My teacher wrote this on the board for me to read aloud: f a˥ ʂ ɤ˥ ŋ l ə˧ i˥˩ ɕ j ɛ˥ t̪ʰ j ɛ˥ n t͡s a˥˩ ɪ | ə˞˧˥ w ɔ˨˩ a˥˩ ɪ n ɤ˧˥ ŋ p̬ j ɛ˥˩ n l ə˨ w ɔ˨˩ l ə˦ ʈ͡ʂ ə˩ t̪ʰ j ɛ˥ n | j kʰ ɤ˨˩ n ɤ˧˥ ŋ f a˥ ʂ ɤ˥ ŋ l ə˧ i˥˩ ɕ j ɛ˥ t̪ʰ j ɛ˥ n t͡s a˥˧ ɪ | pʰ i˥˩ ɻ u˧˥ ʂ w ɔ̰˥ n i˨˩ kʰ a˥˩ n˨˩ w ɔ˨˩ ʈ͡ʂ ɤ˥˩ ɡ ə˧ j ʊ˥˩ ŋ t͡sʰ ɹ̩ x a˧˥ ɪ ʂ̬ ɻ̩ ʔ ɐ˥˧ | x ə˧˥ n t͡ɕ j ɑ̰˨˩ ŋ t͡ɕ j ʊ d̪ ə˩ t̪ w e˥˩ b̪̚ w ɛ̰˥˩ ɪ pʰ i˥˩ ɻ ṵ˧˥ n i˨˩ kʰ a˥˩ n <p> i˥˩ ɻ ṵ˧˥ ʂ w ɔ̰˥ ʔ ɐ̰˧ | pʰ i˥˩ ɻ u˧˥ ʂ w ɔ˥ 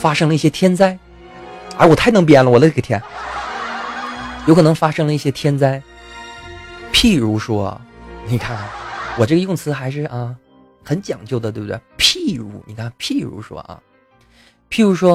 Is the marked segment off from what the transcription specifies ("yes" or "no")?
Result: yes